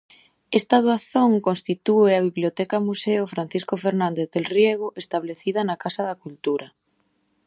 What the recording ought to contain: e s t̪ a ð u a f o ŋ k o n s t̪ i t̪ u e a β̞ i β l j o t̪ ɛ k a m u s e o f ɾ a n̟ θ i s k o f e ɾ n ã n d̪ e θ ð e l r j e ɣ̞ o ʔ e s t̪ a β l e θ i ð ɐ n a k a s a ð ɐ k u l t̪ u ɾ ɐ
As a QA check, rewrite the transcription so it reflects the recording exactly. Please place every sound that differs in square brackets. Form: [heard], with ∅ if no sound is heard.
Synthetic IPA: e s t̪ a ð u a [θ] o ŋ k o n s t̪ i t̪ u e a β̞ i β l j o t̪ ɛ k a m u s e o f ɾ a n̟ θ i s k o f e ɾ n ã n d̪ e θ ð e l r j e ɣ̞ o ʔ e s t̪ a β l e θ i ð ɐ n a k a s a ð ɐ k u l t̪ u ɾ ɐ